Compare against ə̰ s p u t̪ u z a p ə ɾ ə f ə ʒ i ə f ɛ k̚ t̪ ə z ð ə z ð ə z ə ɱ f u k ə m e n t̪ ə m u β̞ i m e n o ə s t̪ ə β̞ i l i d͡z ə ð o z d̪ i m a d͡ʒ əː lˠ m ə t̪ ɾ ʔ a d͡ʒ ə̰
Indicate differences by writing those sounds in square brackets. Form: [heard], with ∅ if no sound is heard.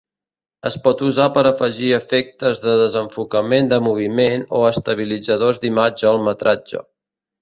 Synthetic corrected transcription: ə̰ s p [ɔ] t̪ u z a p ə ɾ ə f ə ʒ i ə f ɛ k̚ t̪ ə z ð ə [∅] ð ə z ə ɱ f u k ə m e n [d̪] ə m u β̞ i m e n o ə s t̪ ə β̞ i l i d͡z ə ð o z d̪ i m a d͡ʒ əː lˠ m ə t̪ ɾ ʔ a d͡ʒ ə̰